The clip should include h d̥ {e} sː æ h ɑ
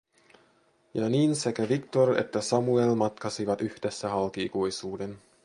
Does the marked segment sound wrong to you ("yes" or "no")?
no